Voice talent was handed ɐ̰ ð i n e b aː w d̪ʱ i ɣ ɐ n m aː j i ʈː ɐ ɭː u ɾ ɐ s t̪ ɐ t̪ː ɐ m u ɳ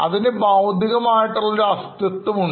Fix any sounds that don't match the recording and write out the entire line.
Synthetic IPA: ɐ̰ ð i n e b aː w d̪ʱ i ɣ ɐ m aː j i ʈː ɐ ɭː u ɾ ɐ s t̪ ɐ t̪ː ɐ m u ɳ

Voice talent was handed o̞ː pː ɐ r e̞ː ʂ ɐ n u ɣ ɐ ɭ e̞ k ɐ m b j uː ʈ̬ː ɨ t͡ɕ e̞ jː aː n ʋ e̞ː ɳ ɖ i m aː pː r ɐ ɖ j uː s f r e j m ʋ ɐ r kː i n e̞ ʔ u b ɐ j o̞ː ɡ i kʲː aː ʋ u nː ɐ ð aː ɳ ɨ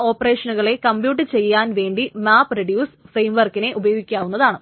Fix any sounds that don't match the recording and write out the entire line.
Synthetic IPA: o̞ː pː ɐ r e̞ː ʂ ɐ n u ɣ ɐ ɭ e̞ k ɐ m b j uː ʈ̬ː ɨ t͡ɕ e̞ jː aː n ʋ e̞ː ɳ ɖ i m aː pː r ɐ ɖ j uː s f r e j m ʋ ɐ r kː i n e̞ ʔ u b ɐ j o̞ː ɡ i kʲː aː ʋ u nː ɐ ð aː ɳ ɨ

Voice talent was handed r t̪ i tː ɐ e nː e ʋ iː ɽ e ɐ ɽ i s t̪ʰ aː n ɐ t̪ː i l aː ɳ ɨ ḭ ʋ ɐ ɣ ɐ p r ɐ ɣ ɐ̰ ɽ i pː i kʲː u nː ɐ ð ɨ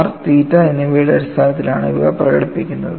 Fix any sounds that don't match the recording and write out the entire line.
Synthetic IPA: r t̪ iː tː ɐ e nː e ʋ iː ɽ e ɐ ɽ i s t̪ʰ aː n ɐ t̪ː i l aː ɳ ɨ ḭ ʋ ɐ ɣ ɐ p r ɐ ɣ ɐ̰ ɽ i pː i kʲː u nː ɐ ð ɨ

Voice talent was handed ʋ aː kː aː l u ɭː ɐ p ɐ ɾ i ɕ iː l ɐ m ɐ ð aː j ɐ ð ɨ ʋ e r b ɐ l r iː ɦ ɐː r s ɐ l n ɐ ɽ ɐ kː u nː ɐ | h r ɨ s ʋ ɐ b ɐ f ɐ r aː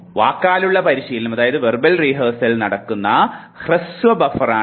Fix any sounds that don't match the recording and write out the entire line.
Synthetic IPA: ʋ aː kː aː l u ɭː ɐ p ɐ ɾ i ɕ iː l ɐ m ɐ ð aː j ɐ ð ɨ ʋ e r b ɐ l r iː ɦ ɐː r s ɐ l n ɐ ɽ ɐ kː u nː ɐ | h r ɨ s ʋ ɐ b ɐ f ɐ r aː

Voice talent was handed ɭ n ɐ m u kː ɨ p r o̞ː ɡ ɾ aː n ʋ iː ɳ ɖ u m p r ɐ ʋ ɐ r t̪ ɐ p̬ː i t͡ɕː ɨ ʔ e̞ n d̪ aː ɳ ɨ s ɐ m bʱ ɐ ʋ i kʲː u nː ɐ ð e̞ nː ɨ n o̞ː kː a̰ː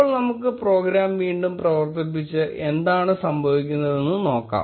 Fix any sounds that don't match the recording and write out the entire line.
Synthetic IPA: ɭ n ɐ m u kː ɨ p r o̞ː ɡ ɾ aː m ʋ iː ɳ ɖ u m p r ɐ ʋ ɐ r t̪ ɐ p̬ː i t͡ɕː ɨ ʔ e̞ n d̪ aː ɳ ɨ s ɐ m bʱ ɐ ʋ i kʲː u nː ɐ ð e̞ nː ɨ n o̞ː kː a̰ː

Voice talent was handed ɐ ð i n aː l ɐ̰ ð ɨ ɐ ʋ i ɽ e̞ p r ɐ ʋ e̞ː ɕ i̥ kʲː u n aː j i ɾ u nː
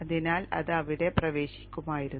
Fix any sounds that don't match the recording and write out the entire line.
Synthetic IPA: ɐ ð i n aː l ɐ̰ ð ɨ ɐ ʋ i ɽ e̞ p r ɐ ʋ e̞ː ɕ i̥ kʲː u m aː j i ɾ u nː

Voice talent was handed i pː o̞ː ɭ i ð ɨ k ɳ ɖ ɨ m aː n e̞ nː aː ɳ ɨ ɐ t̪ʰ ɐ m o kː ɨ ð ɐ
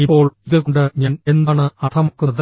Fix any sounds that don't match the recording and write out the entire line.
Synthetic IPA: i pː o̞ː ɭ i ð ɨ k ɳ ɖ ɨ ɲ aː n e̞ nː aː ɳ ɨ ɐ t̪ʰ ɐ m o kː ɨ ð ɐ

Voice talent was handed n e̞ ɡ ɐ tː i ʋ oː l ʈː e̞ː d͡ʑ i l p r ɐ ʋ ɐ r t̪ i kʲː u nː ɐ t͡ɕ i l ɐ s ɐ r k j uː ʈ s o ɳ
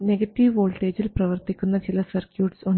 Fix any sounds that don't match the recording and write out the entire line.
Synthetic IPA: n e̞ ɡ ɐ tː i ʋ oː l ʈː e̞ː d͡ʑ i l p r ɐ ʋ ɐ r t̪ i kʲː u nː ɐ t͡ɕ i l ɐ s ɐ r k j uː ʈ s o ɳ

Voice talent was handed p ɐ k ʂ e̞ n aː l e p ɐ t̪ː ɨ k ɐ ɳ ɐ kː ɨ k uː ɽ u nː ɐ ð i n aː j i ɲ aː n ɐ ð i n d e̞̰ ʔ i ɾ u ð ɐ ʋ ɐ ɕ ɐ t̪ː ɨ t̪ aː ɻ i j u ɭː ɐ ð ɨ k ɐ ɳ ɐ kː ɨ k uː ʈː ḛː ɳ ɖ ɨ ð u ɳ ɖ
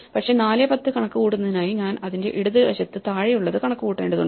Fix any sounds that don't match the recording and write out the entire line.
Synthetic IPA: p ɐ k ʂ e̞ n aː l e p ɐ t̪ː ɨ k ɐ ɳ ɐ kː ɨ k uː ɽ u nː ɐ ð i n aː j i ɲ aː n ɐ ð i n d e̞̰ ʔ i ɽ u ð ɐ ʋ ɐ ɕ ɐ t̪ː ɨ t̪ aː ɻ i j u ɭː ɐ ð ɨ k ɐ ɳ ɐ kː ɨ k uː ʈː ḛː ɳ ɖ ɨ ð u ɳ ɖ

